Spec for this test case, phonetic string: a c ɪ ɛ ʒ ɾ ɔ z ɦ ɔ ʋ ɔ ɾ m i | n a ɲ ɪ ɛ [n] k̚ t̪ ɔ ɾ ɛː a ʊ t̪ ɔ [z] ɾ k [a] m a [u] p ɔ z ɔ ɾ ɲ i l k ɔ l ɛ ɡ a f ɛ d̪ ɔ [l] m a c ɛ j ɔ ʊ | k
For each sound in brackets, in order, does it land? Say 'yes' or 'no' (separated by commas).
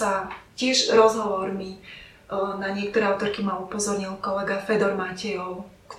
no, no, no, yes, no